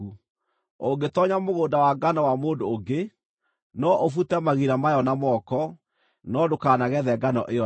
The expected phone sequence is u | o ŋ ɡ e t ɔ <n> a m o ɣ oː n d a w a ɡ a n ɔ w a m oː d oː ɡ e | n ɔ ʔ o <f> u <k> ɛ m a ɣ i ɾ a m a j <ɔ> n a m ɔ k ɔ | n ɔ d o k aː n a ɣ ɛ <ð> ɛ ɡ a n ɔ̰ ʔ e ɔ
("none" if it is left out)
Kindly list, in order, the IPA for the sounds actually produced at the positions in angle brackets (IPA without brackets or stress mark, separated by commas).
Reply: ɲ, f, t, ɔ, ð